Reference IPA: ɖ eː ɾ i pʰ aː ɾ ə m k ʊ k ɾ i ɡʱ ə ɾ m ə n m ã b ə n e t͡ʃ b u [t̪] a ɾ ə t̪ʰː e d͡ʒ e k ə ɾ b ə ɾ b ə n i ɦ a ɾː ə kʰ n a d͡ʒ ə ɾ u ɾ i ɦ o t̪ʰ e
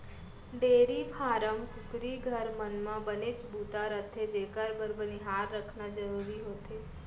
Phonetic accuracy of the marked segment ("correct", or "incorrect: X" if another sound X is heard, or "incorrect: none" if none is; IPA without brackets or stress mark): correct